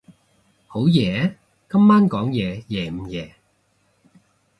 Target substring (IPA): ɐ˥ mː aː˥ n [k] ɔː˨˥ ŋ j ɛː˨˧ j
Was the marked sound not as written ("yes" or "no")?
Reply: no